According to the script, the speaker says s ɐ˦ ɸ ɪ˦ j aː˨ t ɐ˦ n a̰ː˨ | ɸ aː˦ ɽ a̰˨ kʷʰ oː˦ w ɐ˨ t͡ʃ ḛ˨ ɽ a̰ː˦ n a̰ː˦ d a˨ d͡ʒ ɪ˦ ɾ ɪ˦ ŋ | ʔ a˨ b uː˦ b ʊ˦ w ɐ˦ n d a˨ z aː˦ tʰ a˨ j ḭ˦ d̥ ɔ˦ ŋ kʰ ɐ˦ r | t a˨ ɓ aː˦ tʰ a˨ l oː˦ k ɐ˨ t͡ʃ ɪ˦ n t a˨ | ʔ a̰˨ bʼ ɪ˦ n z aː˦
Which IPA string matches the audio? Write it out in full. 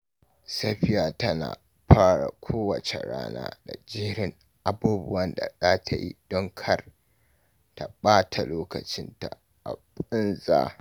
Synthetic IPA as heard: s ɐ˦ ɸ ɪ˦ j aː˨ t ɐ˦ n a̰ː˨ | ɸ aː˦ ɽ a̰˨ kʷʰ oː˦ w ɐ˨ t͡ʃ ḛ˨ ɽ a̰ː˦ n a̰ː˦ d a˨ d͡ʒ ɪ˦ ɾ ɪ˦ ŋ | ʔ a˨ b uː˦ b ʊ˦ w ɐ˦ n d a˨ z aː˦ tʰ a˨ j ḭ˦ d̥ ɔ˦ ŋ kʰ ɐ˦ r | t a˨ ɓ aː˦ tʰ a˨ l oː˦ k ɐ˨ t͡ʃ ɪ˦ n t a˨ | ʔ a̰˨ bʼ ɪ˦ n z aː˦